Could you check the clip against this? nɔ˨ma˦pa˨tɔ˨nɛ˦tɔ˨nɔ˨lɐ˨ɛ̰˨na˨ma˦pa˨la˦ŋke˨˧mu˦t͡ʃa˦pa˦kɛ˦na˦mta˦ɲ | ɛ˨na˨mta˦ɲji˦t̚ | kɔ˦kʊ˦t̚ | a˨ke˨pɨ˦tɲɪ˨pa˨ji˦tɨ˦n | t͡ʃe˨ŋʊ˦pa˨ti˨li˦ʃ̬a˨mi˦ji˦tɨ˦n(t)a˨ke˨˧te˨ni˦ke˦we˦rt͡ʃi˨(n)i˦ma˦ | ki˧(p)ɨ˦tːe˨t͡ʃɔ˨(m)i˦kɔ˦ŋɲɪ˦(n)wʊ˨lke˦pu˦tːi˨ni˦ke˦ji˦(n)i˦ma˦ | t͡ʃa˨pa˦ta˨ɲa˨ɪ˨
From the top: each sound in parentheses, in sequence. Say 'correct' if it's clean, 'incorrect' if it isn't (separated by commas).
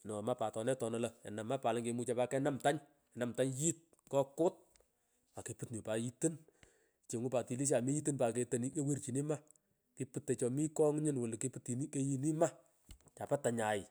incorrect, correct, correct, correct, correct, correct